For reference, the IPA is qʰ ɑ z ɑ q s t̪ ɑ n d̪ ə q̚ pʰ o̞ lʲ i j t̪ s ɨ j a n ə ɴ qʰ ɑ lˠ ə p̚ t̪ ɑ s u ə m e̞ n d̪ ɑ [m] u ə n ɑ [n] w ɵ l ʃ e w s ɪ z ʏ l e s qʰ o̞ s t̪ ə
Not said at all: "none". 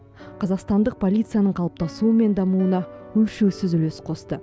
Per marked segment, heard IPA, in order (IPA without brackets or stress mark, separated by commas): m, none